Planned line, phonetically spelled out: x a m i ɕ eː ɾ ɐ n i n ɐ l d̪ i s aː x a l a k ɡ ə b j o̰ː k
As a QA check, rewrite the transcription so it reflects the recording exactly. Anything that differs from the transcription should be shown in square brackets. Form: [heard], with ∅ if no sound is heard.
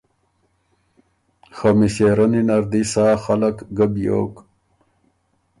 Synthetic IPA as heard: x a m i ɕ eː ɾ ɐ n i n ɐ [ɾ] d̪ i s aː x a l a k ɡ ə b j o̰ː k